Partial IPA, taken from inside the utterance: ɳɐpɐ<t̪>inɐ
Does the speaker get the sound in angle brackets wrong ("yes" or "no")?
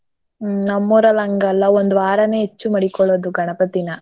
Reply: no